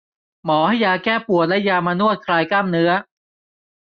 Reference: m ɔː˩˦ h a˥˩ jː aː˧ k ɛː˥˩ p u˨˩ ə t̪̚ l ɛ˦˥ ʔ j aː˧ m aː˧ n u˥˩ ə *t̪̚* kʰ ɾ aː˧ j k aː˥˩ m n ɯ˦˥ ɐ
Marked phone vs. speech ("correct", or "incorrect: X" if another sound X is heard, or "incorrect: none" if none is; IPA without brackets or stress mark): correct